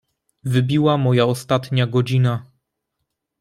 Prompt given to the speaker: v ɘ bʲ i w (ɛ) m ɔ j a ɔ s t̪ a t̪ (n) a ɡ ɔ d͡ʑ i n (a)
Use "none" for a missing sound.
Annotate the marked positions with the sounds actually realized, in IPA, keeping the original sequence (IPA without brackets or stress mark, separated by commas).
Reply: a, ɲ, a